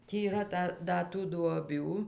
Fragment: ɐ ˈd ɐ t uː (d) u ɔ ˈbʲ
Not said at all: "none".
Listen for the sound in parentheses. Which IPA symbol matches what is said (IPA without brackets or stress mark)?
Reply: d